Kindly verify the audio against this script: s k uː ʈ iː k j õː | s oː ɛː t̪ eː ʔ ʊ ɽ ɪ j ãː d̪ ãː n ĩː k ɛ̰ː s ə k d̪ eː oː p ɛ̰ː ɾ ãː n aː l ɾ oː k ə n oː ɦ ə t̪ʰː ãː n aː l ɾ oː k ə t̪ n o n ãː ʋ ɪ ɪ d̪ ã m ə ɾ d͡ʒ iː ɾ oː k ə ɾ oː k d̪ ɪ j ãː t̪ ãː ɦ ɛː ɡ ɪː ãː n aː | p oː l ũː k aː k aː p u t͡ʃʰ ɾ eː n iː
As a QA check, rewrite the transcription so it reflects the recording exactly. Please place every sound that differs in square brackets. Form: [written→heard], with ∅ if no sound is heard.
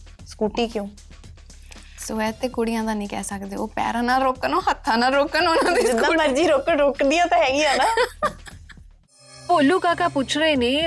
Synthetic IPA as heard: s k uː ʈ iː k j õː | s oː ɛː t̪ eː [ʔ→k] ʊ ɽ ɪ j ãː d̪ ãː n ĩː k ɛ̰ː s ə k d̪ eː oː p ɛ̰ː ɾ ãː n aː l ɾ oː k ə n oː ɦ ə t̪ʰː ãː n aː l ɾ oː k ə [t̪→∅] n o n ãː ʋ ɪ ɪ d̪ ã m ə ɾ d͡ʒ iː ɾ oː k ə ɾ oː k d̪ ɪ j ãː t̪ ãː ɦ ɛː ɡ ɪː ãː n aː | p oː l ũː k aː k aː p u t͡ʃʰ ɾ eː n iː